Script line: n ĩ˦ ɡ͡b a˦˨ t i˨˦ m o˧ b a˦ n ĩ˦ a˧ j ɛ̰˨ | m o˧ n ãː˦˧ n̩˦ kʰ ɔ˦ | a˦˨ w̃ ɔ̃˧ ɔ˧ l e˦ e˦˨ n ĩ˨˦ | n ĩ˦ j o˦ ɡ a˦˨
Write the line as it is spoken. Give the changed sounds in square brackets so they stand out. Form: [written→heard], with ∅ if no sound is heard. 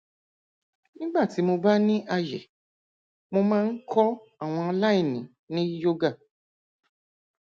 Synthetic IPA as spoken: n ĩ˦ ɡ͡b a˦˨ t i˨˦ m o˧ b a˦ n ĩ˦ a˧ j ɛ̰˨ | m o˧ [n→m] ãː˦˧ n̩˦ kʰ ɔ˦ | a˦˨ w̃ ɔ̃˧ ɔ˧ l [e˦→a˦] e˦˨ n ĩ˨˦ | n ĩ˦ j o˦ ɡ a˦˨